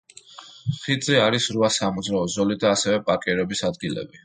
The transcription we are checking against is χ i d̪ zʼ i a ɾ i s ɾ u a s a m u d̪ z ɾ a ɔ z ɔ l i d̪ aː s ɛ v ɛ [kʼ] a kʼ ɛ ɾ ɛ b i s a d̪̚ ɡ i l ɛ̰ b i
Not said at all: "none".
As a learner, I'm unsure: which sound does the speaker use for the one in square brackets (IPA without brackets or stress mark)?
pʼ